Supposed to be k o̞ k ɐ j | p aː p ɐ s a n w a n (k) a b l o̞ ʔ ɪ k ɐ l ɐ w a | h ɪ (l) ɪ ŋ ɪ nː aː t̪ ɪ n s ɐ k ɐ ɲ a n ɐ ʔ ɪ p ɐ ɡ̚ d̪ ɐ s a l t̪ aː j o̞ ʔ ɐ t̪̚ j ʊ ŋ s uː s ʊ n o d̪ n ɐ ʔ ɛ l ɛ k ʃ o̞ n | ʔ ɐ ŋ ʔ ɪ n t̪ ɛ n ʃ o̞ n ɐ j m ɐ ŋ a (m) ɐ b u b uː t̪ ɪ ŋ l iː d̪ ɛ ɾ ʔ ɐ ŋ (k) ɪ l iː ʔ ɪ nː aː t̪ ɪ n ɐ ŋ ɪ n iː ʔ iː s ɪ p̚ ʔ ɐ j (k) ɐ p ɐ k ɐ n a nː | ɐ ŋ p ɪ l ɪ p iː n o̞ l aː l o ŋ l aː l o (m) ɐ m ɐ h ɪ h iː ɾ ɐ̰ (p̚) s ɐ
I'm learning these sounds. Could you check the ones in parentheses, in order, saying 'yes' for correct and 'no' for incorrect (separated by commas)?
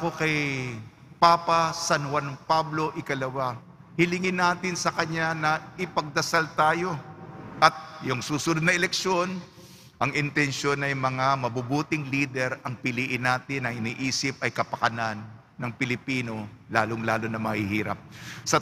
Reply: no, yes, yes, no, yes, no, yes